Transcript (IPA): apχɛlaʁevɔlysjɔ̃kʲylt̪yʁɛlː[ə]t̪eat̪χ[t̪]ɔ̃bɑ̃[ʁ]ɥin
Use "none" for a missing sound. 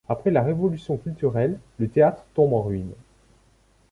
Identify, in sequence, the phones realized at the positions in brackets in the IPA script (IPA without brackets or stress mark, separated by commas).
ə, t̪, ʁ